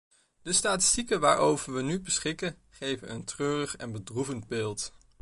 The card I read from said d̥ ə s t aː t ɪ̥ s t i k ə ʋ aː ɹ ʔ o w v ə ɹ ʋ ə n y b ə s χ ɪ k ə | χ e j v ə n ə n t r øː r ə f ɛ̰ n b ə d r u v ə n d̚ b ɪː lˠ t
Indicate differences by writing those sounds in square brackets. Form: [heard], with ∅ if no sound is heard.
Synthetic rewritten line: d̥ ə s t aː t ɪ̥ s t i k ə ʋ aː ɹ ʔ o w v ə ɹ ʋ ə n y b ə s χ ɪ k ə | χ e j v ə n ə n t r øː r ə [χ] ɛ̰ n b ə d r u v ə n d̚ b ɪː lˠ t